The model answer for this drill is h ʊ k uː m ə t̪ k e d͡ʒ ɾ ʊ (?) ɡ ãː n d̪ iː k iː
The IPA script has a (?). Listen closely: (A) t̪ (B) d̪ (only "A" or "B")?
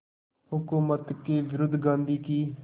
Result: B